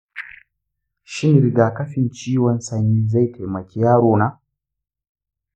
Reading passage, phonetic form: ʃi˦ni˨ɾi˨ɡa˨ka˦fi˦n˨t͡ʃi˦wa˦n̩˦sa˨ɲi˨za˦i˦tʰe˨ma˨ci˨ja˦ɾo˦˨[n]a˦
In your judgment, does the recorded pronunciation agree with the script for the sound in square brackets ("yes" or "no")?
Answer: yes